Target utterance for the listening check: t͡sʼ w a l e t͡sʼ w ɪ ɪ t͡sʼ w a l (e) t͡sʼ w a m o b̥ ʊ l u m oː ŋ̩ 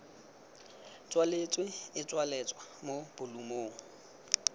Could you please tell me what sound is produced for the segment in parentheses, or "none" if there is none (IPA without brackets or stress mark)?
ɛ